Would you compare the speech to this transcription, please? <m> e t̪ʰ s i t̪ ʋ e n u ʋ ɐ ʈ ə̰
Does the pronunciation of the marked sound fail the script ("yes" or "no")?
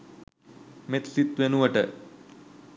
no